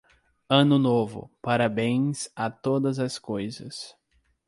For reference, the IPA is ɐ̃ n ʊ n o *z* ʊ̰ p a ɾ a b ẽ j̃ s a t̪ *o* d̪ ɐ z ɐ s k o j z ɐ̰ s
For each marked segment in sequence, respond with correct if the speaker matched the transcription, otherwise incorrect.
incorrect: v, correct

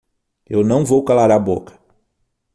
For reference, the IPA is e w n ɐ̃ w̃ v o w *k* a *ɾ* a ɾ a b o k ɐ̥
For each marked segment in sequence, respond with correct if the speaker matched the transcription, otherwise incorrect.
correct, incorrect: l

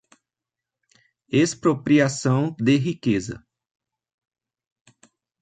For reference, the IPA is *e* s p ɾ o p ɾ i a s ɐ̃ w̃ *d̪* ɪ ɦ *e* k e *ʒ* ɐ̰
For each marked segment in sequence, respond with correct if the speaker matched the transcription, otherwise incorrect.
correct, correct, incorrect: i, incorrect: z

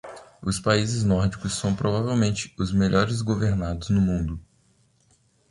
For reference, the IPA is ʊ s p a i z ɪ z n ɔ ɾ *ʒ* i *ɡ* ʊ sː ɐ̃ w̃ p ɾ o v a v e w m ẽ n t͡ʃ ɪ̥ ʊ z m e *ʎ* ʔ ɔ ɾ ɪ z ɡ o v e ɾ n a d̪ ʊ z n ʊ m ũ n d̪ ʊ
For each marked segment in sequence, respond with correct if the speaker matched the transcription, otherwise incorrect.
incorrect: d͡ʒ, incorrect: k, correct

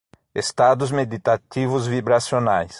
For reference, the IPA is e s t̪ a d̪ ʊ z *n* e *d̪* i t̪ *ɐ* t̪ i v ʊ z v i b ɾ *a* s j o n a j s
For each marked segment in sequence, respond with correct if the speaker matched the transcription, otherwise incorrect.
incorrect: m, correct, incorrect: a, correct

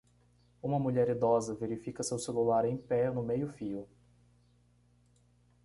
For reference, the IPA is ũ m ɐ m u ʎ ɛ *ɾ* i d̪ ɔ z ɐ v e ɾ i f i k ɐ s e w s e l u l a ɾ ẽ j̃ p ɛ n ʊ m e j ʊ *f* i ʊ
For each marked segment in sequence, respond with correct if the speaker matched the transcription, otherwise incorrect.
correct, correct

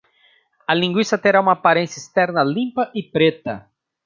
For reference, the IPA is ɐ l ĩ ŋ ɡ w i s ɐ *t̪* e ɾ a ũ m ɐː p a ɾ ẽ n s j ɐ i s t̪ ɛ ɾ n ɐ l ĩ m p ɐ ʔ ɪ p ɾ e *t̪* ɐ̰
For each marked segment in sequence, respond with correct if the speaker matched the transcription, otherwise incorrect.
correct, correct

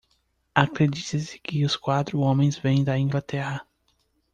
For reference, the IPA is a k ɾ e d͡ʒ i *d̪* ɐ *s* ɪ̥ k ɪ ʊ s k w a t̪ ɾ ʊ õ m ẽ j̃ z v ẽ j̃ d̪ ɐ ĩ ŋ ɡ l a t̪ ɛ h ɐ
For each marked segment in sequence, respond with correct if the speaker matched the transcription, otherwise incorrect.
incorrect: t̪, correct

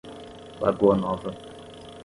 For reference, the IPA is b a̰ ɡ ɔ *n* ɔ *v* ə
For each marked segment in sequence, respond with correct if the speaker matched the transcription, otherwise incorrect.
correct, correct

